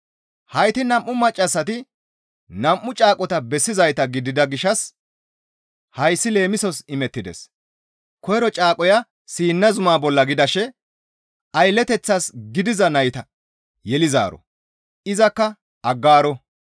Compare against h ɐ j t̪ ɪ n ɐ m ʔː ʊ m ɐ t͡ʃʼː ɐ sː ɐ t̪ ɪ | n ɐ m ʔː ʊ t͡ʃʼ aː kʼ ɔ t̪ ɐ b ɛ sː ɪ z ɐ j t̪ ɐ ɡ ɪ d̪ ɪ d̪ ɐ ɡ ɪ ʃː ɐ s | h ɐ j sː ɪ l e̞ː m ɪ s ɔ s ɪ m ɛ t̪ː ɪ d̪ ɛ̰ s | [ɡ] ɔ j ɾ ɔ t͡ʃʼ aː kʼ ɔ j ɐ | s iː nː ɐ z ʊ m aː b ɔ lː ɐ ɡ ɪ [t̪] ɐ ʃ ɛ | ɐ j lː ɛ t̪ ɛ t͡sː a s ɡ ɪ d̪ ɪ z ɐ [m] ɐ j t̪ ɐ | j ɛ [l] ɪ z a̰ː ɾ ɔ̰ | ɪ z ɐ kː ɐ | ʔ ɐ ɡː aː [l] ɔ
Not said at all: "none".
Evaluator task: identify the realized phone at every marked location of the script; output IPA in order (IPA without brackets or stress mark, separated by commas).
k, d̪, n, l, ɾ